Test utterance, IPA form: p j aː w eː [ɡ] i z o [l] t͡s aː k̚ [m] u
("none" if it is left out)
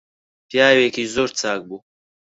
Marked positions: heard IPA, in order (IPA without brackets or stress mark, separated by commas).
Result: k, ɾ, b